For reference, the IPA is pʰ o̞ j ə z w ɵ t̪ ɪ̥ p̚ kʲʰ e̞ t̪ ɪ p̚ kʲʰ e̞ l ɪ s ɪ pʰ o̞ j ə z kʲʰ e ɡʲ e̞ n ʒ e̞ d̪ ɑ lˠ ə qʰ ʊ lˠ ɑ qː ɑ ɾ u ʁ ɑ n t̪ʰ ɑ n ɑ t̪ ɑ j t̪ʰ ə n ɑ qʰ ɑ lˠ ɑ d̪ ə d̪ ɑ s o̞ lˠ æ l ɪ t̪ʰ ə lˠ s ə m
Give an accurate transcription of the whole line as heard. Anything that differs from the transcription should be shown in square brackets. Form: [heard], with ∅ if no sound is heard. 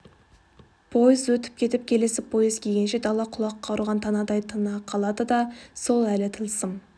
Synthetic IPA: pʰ o̞ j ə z w ɵ t̪ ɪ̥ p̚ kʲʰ e̞ t̪ ɪ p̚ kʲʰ e̞ l ɪ s ɪ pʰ o̞ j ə z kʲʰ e ɡʲ e̞ n [ʃ] e̞ d̪ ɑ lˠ [ɑ] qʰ ʊ lˠ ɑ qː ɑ ɾ u ʁ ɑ n t̪ʰ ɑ n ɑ [d̪] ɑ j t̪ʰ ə n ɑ qʰ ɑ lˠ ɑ d̪ ə d̪ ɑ s o̞ lˠ æ l ɪ t̪ʰ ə lˠ s ə m

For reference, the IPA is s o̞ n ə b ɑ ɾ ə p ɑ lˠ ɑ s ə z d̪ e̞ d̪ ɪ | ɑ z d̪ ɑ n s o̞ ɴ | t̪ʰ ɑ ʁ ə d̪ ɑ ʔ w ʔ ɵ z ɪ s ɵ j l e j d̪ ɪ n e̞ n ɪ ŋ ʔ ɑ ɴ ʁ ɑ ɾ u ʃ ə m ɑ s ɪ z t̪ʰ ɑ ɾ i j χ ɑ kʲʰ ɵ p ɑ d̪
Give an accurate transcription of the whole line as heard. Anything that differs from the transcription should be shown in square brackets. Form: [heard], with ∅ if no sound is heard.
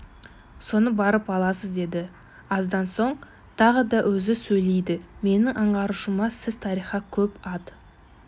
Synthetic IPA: s o̞ n ə b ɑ ɾ ə p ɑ lˠ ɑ s ə z d̪ e̞ d̪ ɪ | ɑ z d̪ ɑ n s o̞ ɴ | t̪ʰ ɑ ʁ ə d̪ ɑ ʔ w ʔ ɵ z ɪ s ɵ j l e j d̪ ɪ [m] e̞ n ɪ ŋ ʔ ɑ ɴ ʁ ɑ ɾ u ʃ ə m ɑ s ɪ z t̪ʰ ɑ ɾ i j χ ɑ kʲʰ ɵ p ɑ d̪

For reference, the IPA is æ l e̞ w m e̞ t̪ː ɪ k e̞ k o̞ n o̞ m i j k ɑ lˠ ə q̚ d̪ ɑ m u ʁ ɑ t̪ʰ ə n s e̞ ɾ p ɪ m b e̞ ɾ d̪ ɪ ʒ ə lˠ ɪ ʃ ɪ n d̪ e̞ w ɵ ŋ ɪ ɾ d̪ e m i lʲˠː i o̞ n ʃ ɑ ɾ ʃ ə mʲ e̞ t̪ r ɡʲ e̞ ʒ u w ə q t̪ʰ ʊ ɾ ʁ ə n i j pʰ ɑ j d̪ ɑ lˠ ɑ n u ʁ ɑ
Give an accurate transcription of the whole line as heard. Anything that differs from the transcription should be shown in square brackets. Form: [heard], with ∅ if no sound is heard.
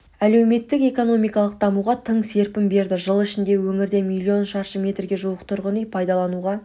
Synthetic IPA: æ l e̞ w m e̞ t̪ː ɪ k e̞ k o̞ n o̞ m i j k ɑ lˠ ə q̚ d̪ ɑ m u ʁ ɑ t̪ʰ ə [ɴ] s e̞ ɾ p ɪ m b e̞ ɾ d̪ ɪ ʒ ə lˠ ɪ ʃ ɪ n d̪ e̞ w ɵ ŋ ɪ ɾ d̪ e m i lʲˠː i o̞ n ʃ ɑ ɾ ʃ ə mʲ e̞ t̪ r ɡʲ e̞ ʒ u w ə q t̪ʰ ʊ ɾ ʁ ə n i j pʰ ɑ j d̪ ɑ lˠ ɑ n u ʁ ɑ

